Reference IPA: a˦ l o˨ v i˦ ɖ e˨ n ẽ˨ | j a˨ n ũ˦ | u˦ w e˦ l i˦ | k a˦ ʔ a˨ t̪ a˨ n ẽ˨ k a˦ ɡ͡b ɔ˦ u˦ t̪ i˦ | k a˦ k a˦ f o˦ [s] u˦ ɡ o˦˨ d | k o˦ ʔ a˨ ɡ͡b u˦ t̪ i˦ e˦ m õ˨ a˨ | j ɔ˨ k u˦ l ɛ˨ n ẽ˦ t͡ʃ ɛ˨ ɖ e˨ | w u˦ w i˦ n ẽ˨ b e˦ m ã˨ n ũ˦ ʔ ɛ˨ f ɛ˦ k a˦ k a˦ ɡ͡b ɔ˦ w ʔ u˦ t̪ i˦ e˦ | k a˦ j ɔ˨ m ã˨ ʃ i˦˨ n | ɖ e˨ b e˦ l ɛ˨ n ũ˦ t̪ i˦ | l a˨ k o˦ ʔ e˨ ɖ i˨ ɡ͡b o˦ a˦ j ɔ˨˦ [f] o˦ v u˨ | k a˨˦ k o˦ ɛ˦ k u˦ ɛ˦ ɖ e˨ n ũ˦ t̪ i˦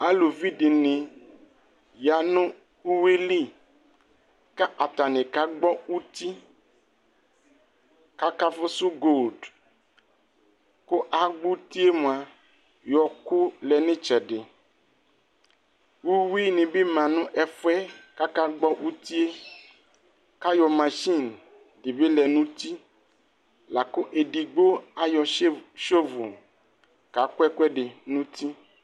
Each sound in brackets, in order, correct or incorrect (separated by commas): correct, incorrect